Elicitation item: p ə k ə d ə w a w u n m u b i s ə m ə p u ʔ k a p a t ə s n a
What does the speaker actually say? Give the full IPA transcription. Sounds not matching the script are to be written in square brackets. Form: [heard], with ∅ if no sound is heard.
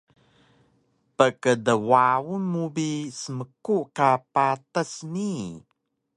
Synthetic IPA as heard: p ə k ə d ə w a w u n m u b i s ə m ə [k] u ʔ k a p a t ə s n [i]